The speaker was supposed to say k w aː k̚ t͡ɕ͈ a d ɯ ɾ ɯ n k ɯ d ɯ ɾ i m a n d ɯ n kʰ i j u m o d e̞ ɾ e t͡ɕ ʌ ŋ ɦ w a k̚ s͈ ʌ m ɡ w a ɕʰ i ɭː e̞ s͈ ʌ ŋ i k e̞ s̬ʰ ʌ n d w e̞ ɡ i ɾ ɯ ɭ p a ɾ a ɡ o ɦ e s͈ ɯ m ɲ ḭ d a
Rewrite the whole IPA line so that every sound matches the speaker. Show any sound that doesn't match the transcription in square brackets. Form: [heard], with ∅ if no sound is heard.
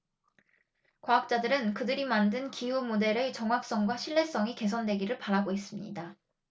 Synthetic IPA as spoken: k w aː k̚ t͡ɕ͈ a d ɯ ɾ ɯ n k ɯ d ɯ ɾ i m a n d ɯ n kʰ i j u m o d e̞ ɾ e t͡ɕ ʌ ŋ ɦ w a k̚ s͈ ʌ [ŋ] ɡ w a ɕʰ i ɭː e̞ s͈ ʌ ŋ i k e̞ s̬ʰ ʌ n d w e̞ ɡ i ɾ ɯ ɭ p a ɾ a ɡ o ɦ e s͈ ɯ m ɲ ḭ d a